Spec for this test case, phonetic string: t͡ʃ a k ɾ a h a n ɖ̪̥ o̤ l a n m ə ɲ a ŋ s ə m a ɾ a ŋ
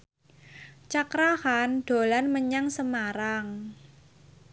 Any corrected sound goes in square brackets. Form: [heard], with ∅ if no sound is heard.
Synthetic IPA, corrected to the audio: t͡ʃ a k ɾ a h a n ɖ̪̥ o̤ l a n m ə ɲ a ŋ s ə m a ɾ a ŋ